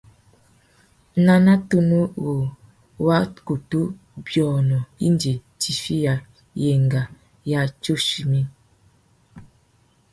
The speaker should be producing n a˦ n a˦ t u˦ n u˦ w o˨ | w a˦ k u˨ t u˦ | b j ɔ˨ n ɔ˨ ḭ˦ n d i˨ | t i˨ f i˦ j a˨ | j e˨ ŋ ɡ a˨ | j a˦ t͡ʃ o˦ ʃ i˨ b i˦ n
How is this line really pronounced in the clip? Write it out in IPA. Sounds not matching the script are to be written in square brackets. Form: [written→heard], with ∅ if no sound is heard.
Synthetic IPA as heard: n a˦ n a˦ t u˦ n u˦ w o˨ | w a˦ k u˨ t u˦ | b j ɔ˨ n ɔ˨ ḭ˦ n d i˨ | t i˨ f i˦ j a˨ | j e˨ ŋ ɡ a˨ | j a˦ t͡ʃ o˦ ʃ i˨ [b→m] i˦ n